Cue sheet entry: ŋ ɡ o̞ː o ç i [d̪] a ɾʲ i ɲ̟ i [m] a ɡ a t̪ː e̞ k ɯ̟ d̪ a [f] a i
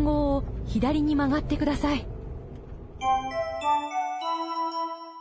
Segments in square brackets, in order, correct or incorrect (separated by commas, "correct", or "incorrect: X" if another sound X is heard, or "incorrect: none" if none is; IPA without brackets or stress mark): correct, correct, incorrect: s